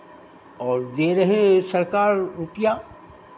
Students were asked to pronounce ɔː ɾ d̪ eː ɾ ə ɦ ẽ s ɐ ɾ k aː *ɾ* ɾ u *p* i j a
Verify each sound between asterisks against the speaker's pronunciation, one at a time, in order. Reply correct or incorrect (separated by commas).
correct, correct